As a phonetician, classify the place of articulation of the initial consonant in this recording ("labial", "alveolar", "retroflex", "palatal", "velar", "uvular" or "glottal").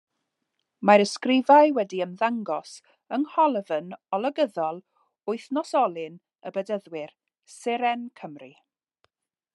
labial